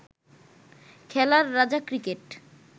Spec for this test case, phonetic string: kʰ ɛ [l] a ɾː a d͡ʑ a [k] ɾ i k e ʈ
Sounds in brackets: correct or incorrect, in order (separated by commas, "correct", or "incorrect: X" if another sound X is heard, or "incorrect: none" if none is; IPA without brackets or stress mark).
correct, correct